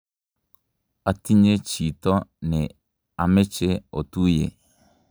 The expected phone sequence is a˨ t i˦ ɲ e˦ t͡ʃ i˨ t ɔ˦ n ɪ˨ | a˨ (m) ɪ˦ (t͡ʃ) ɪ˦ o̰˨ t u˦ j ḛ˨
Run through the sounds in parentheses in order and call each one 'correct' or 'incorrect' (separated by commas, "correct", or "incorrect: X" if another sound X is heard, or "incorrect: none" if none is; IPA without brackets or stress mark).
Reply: correct, correct